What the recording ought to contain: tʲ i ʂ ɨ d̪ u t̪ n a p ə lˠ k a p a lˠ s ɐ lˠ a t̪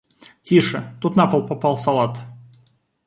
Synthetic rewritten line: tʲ i ʂ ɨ t̪ u t̪ n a p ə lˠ p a p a lˠ s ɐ lˠ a t̪